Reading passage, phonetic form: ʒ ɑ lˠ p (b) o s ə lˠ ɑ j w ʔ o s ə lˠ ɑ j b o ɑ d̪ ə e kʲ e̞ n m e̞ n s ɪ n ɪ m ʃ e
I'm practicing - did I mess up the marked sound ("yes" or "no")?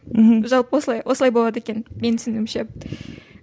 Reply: yes